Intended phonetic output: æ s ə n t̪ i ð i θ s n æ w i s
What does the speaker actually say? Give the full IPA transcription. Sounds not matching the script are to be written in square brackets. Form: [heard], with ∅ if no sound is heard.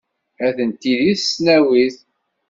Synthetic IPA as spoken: æ [θ] ə n t̪ i ð i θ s n æ w i [θ]